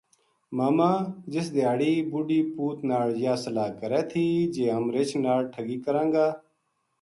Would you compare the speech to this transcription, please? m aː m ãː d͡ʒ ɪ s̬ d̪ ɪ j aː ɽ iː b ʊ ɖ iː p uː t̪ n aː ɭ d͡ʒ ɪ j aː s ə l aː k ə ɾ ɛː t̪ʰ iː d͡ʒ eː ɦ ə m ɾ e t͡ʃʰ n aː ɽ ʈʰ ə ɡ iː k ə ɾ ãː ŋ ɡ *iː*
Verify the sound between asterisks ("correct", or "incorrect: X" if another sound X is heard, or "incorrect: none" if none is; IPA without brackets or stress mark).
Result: incorrect: aː